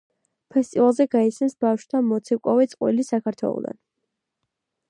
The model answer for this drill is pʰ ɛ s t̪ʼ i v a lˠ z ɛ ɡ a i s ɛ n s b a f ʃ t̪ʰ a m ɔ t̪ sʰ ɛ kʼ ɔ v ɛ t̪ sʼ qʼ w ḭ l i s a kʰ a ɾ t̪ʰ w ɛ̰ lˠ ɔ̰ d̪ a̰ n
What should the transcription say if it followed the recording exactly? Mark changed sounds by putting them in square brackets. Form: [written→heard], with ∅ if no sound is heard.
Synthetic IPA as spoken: pʰ ɛ s t̪ʼ i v a lˠ z ɛ ɡ a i s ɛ n s b a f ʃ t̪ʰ a m ɔ t̪ sʰ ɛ kʼ ɔ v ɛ t̪ sʼ qʼ w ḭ l i s a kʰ a ɾ t̪ʰ w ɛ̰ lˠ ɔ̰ d̪ a̰ n